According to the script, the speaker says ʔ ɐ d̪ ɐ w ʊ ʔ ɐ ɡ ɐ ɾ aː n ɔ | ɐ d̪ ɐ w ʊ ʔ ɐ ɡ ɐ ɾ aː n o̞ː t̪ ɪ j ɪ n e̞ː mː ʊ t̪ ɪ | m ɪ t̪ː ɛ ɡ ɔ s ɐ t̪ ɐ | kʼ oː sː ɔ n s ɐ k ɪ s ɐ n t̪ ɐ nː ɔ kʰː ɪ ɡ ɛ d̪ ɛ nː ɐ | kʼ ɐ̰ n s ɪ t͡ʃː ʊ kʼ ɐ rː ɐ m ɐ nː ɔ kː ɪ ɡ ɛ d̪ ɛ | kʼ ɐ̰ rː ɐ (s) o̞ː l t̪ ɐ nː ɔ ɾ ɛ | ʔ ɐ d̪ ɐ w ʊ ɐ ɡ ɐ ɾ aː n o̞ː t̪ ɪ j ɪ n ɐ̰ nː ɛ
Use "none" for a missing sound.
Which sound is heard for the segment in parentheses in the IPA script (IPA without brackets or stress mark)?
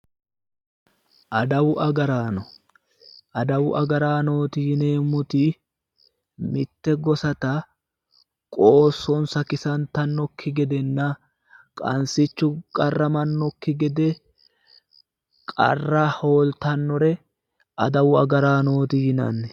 h